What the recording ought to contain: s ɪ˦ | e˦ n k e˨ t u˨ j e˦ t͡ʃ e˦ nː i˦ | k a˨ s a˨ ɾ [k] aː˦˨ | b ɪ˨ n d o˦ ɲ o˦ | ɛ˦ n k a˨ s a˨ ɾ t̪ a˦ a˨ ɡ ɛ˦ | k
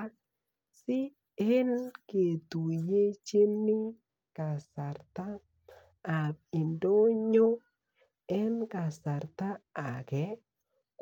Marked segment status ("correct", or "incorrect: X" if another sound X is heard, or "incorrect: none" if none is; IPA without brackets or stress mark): incorrect: t